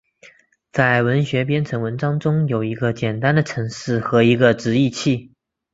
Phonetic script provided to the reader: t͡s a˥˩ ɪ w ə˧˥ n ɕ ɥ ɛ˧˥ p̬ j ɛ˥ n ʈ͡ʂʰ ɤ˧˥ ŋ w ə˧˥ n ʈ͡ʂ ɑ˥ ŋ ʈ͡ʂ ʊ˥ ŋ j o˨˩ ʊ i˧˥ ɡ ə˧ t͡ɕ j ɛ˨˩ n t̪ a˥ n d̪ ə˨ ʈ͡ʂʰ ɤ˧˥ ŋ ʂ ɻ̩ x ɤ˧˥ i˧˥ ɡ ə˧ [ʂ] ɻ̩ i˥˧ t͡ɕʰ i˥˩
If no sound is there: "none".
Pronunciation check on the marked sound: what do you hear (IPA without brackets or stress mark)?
ʈ͡ʂ